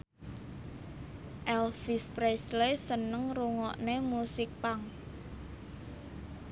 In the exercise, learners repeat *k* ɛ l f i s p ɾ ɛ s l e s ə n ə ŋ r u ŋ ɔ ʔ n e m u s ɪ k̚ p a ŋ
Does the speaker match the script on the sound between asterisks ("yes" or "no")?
no